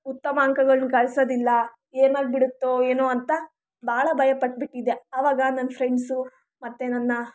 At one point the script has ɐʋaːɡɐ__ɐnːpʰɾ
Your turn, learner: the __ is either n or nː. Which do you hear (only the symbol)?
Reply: n